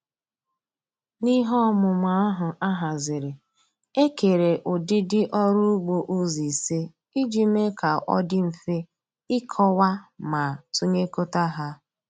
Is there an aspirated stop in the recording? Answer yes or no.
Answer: yes